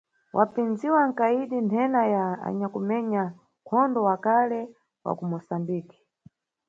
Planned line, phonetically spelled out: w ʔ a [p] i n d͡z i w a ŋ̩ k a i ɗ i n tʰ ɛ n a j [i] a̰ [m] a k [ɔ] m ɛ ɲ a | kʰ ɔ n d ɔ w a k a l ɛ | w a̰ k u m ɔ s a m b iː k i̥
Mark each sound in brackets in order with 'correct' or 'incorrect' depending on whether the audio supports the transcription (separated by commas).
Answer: correct, incorrect, incorrect, incorrect